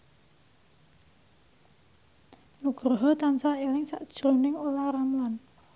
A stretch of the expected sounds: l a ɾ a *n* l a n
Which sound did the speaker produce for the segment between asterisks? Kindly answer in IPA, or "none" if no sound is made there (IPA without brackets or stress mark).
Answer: m